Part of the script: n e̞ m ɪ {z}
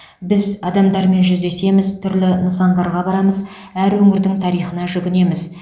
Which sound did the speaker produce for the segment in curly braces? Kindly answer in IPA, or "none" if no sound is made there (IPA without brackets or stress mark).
z